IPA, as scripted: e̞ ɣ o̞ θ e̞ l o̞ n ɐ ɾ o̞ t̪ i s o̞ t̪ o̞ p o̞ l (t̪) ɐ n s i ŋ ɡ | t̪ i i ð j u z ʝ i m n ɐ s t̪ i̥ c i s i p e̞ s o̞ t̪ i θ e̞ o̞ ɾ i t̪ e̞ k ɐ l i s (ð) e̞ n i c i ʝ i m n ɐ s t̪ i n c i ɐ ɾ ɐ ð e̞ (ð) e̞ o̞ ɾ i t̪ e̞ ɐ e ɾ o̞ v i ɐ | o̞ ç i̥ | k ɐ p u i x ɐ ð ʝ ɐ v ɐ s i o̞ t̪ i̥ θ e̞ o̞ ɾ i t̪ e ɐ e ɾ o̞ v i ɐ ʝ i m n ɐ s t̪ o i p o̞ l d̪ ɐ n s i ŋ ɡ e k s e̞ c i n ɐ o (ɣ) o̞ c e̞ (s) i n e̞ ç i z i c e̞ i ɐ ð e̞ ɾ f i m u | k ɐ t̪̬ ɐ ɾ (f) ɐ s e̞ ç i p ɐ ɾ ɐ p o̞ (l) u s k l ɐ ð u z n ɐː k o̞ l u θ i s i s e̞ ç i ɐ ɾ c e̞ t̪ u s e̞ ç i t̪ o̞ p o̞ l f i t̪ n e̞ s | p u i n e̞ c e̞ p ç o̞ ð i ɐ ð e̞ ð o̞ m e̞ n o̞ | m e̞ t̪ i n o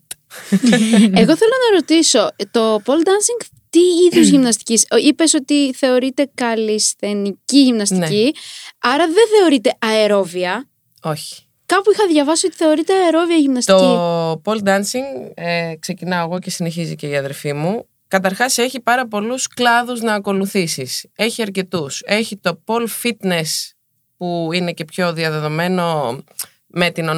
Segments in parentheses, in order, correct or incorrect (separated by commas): incorrect, incorrect, incorrect, correct, correct, incorrect, correct